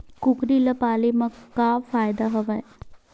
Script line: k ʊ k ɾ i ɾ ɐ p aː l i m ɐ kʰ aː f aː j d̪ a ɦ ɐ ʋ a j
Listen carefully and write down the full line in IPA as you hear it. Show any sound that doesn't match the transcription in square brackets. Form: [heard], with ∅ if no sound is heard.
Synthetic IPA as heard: k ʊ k ɾ i [l] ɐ p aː l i m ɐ [k] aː f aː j d̪ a ɦ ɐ ʋ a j